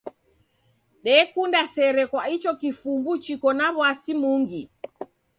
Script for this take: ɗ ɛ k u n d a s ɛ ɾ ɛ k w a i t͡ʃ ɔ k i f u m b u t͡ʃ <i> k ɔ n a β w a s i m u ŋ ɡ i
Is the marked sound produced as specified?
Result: yes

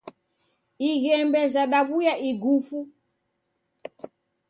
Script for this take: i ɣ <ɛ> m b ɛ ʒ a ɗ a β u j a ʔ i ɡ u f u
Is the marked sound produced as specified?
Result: yes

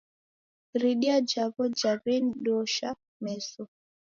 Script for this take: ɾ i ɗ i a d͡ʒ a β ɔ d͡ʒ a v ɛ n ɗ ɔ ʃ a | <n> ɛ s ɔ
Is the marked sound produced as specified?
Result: no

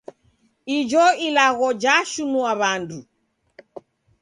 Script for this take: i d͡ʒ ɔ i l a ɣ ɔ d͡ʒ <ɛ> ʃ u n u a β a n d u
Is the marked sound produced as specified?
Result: no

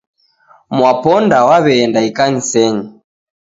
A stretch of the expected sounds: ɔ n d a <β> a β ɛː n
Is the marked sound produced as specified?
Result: no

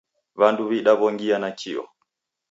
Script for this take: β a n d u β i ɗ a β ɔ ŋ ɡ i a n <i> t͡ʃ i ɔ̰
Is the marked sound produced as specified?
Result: no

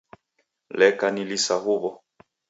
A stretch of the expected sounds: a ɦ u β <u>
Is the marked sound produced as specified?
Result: no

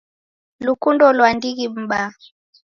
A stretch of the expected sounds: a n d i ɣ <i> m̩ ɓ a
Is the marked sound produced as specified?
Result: yes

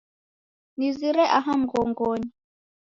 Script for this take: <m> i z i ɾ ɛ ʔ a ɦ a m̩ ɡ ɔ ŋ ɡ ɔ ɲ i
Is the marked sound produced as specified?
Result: no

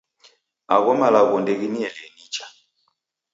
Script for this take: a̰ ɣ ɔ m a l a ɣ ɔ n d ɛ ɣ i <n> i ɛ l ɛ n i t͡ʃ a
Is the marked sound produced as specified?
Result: yes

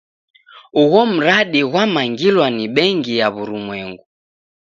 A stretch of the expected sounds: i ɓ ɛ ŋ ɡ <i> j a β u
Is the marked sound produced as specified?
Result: yes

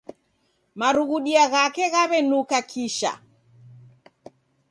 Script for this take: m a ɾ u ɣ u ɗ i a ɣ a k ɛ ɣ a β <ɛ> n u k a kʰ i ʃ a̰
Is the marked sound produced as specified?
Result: yes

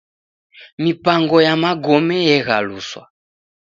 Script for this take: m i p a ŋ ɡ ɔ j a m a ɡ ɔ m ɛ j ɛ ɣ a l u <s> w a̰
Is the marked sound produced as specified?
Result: yes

